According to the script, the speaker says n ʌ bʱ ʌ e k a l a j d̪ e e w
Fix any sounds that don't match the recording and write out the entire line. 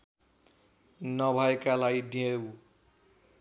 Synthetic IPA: n ʌ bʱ ʌ e k a l a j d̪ i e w